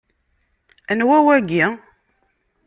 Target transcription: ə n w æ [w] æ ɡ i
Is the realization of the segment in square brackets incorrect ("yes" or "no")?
no